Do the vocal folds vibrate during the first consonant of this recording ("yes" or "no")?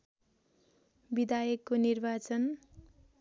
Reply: yes